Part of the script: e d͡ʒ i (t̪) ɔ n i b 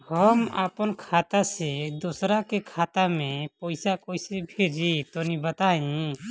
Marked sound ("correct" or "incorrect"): correct